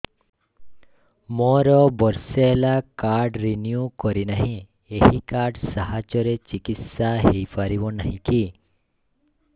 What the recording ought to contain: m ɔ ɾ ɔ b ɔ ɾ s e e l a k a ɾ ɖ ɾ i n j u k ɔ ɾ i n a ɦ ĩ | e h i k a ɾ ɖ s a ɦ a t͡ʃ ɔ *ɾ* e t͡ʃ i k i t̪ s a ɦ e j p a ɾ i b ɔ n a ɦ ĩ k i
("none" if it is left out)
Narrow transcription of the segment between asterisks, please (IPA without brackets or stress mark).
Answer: ɾ